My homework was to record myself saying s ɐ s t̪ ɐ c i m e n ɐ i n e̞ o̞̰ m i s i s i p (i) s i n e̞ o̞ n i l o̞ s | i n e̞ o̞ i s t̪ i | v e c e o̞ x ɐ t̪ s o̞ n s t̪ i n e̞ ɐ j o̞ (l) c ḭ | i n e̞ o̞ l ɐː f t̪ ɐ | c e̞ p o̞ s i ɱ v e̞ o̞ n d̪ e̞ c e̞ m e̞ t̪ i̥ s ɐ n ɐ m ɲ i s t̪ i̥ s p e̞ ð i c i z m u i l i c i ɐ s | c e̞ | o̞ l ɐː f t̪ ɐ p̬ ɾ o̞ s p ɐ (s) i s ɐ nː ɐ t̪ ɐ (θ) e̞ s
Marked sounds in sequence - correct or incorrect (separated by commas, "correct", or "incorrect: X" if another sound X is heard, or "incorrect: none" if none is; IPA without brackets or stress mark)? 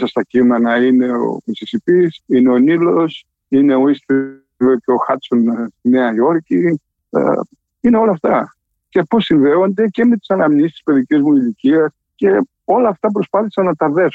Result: correct, incorrect: ɾ, incorrect: θ, incorrect: ð